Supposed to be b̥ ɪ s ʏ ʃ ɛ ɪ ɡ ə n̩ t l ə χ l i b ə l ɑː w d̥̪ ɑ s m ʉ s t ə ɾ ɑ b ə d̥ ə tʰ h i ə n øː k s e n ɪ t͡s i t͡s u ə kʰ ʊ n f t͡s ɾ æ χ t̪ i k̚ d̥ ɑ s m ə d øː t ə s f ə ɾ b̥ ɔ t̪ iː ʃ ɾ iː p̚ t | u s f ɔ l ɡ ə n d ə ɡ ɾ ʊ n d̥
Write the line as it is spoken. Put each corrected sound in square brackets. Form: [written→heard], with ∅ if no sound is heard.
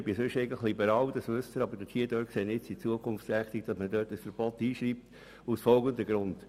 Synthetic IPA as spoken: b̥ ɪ s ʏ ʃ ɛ ɪ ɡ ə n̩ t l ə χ l i b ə [l→ɾ] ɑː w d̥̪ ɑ s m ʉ s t ə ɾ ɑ b ə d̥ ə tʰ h i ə [n→d] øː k s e n ɪ t͡s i t͡s u ə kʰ ʊ n f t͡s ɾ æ χ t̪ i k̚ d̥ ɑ s m ə d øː t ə s f ə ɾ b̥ ɔ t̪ iː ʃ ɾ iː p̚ t | u s f ɔ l ɡ ə n d ə ɡ ɾ ʊ n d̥